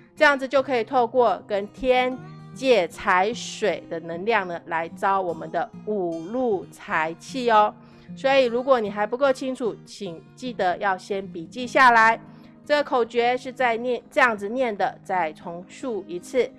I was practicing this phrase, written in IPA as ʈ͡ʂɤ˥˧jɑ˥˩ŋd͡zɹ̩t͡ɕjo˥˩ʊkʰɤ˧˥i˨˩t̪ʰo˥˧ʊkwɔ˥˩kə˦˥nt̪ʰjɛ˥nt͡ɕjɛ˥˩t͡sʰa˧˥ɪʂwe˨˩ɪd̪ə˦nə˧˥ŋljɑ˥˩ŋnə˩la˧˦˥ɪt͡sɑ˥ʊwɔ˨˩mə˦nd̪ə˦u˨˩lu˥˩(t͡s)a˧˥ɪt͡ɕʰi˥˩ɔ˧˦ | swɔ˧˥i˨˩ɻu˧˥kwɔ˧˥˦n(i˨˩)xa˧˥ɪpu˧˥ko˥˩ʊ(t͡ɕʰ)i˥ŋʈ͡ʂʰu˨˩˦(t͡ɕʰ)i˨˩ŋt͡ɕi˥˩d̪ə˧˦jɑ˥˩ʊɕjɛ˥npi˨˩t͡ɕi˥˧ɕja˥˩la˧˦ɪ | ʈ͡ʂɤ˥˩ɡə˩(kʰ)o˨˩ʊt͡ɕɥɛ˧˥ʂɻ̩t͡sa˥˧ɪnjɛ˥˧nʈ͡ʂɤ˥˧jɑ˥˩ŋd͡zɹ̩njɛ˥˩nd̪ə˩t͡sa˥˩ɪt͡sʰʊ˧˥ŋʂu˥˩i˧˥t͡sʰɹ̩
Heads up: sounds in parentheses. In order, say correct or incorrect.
incorrect: t͡sʰ, correct, correct, correct, correct

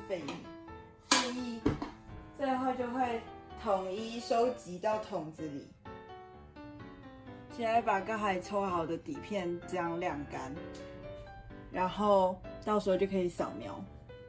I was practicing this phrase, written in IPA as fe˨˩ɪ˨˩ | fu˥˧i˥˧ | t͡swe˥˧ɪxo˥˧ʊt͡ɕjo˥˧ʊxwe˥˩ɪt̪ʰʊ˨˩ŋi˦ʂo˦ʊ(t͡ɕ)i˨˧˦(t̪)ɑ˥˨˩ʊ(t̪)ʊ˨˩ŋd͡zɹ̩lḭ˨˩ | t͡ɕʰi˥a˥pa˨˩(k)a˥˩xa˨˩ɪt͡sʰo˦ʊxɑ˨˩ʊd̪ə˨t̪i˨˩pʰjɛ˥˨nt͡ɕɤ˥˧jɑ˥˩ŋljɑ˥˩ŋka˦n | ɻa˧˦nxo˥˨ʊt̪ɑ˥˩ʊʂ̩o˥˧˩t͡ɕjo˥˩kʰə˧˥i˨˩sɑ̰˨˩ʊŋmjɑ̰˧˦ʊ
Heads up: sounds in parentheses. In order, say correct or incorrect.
correct, correct, incorrect: t̪ʰ, correct

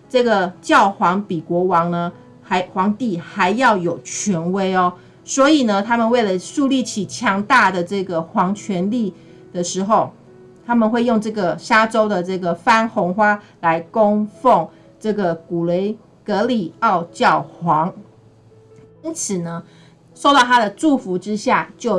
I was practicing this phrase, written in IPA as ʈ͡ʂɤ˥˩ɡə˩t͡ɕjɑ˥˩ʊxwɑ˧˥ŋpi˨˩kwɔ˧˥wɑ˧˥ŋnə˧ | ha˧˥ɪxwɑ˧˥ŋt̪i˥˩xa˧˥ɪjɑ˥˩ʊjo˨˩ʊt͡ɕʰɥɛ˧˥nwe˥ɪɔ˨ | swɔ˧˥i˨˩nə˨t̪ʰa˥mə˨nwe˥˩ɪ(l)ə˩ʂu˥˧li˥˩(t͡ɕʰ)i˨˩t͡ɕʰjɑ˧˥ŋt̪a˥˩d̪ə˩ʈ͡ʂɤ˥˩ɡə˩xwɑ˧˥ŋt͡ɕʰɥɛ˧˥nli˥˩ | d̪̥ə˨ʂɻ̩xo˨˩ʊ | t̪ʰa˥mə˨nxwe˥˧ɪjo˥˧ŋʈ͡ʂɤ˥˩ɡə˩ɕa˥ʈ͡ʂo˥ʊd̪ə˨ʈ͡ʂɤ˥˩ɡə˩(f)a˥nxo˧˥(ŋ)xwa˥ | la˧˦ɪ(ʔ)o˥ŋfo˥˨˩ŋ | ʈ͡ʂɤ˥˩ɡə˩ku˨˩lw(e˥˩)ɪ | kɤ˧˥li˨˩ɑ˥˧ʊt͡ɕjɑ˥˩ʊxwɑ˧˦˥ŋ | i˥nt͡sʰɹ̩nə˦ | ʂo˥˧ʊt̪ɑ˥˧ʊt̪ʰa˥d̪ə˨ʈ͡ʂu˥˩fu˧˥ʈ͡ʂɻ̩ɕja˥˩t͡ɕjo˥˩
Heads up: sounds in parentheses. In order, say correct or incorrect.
correct, correct, correct, correct, incorrect: k, incorrect: e˧˥

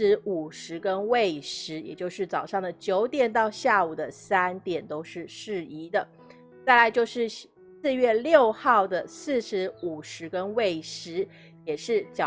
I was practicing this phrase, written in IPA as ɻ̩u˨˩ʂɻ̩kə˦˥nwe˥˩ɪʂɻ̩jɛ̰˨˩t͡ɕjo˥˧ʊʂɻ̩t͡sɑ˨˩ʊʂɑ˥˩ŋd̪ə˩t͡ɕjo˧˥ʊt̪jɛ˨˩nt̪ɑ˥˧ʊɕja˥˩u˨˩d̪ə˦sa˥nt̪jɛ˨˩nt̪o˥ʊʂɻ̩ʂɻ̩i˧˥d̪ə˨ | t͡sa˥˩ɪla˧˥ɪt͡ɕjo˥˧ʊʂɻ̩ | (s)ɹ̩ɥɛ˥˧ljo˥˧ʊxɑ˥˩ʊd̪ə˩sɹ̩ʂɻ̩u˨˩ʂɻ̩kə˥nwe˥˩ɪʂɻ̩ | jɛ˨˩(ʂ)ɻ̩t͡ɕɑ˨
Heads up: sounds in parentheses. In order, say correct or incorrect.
correct, correct

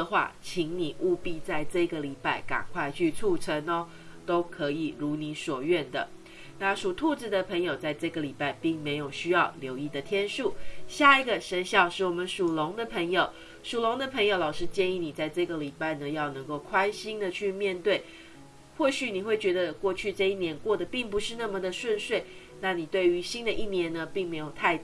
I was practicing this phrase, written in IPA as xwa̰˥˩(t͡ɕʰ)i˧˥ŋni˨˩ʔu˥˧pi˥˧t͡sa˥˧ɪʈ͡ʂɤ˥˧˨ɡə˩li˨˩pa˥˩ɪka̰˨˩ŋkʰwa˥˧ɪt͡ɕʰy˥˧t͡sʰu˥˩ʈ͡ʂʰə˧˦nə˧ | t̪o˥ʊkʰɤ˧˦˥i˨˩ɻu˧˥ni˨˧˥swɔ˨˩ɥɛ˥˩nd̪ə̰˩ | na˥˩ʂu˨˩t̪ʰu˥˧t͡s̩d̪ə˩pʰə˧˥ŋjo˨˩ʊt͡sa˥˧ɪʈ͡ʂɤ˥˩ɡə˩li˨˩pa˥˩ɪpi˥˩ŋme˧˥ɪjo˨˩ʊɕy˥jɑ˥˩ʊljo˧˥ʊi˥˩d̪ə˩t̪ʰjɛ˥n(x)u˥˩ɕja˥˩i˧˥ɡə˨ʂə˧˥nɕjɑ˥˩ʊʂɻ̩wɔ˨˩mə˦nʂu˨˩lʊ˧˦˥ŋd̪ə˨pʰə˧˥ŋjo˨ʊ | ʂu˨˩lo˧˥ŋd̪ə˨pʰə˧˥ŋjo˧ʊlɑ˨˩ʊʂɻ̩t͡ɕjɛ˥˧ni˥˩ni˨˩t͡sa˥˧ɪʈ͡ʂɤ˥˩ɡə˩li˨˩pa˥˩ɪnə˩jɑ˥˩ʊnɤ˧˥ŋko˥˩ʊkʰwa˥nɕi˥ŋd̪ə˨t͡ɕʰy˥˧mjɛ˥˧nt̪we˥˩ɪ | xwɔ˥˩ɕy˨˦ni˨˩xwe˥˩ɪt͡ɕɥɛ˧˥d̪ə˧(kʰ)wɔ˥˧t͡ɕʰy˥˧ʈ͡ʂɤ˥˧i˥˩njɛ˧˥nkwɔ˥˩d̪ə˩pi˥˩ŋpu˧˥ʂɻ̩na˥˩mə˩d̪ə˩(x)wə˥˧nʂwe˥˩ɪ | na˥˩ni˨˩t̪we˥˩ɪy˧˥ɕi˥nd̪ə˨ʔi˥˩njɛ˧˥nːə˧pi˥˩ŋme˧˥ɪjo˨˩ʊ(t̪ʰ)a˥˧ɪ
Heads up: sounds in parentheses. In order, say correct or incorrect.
correct, incorrect: ʂ, incorrect: k, incorrect: ʂ, correct

